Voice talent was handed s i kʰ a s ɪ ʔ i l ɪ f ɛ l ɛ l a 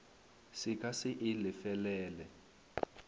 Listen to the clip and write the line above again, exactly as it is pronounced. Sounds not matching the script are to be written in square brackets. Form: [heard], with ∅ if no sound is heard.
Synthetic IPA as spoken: s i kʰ a s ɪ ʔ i l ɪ f ɛ l [ɛː] l [ɛ]